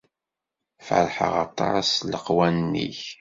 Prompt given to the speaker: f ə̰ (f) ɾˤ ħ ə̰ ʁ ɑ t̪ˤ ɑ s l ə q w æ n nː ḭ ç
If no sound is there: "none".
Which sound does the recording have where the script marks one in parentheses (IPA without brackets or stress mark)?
none